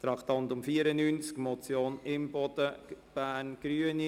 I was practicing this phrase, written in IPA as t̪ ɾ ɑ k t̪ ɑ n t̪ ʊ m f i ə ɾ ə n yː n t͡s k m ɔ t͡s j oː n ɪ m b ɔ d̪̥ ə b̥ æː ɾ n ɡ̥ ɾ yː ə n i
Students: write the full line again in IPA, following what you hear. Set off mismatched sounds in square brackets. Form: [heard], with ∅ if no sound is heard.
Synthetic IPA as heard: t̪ ɾ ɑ k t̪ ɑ n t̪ ʊ m f i ə ɾ ə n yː n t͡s k m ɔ t͡s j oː n ɪ m b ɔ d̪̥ ə b̥ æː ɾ n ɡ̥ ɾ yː ə n i